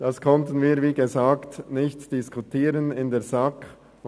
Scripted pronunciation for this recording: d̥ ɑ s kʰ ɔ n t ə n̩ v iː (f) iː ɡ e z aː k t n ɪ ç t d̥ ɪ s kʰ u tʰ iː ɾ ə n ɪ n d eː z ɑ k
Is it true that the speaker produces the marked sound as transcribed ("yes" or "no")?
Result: no